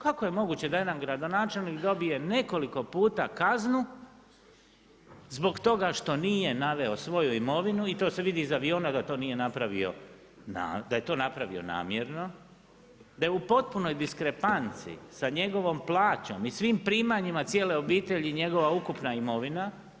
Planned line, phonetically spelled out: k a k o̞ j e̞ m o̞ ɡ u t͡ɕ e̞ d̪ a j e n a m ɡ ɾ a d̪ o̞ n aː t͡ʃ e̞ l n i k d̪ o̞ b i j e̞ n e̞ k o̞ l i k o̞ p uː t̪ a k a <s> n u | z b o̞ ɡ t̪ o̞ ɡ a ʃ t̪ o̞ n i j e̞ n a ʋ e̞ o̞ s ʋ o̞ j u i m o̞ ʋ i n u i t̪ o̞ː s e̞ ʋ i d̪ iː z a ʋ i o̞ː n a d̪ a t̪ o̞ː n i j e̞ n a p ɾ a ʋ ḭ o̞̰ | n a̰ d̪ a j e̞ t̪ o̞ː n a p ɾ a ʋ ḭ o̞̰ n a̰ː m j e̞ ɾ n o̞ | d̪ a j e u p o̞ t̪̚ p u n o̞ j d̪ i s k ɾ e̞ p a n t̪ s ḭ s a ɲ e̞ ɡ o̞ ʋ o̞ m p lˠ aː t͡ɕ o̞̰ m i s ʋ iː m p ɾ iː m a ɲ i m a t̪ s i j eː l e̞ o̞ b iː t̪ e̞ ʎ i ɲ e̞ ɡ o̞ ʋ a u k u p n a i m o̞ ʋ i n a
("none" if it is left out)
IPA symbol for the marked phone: z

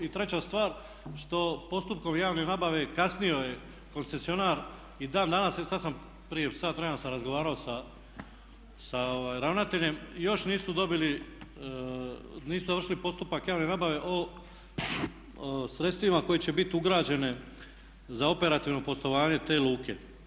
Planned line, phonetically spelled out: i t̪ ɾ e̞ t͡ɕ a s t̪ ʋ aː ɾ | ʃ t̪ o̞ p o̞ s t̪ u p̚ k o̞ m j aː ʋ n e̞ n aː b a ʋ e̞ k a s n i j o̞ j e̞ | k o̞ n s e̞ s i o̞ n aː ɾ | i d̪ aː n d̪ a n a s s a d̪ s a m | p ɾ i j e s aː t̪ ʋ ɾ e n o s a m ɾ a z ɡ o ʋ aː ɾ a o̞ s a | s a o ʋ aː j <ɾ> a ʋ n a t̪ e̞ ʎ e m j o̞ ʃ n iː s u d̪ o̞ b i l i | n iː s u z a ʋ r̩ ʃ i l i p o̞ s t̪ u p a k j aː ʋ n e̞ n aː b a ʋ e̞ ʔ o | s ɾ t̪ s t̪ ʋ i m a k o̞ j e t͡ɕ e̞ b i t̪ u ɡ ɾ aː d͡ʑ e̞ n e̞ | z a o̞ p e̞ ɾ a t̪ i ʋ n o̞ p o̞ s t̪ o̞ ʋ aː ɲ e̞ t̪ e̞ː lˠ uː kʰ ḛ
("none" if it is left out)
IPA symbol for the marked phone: ɾ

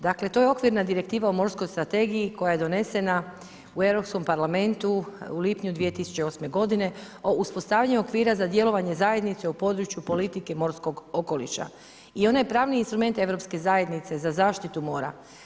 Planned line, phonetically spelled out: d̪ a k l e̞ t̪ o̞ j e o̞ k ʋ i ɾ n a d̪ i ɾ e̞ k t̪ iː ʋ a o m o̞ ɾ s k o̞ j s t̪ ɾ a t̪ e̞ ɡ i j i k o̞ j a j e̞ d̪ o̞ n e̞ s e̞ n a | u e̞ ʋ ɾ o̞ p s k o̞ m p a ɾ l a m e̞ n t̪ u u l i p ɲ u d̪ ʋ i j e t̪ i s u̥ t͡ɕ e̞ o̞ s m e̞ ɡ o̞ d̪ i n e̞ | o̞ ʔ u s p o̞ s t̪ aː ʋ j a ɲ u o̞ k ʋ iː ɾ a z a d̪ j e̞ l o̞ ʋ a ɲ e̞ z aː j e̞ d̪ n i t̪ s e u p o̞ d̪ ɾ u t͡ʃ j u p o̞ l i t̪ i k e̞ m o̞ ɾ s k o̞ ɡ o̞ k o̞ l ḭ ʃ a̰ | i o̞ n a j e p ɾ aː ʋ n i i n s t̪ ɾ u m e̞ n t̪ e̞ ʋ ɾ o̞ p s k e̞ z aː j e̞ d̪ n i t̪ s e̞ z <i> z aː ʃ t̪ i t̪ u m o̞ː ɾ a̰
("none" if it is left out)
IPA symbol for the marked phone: a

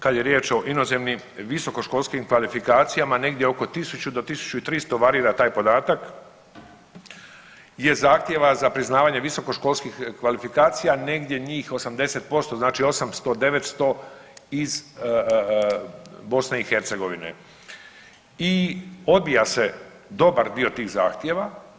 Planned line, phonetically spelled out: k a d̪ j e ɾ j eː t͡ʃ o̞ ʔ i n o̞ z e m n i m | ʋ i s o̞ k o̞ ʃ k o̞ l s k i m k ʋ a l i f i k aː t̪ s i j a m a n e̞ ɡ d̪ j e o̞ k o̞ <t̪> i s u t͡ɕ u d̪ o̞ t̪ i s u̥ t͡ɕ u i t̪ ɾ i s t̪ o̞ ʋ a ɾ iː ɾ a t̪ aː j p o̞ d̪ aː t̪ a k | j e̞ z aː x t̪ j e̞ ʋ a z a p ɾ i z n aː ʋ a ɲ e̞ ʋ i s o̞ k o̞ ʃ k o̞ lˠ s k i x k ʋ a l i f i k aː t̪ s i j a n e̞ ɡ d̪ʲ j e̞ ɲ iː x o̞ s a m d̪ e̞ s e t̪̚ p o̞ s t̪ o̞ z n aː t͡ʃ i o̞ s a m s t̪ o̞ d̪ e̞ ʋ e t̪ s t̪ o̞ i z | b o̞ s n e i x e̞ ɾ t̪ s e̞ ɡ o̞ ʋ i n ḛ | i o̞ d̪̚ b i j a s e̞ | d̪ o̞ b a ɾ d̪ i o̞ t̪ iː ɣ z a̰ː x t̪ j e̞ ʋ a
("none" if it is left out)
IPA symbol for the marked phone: t̪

